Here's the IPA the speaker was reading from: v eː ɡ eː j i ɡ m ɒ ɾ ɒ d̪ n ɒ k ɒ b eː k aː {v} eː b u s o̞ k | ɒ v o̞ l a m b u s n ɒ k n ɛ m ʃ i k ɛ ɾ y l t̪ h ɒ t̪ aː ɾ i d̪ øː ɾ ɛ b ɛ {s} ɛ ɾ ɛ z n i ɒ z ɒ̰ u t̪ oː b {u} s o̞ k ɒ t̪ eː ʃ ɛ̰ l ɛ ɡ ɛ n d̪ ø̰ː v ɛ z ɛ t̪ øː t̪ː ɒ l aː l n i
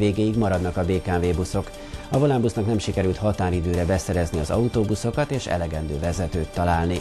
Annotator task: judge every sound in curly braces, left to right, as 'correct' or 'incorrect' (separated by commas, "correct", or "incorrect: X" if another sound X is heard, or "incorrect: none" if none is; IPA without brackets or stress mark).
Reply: correct, correct, correct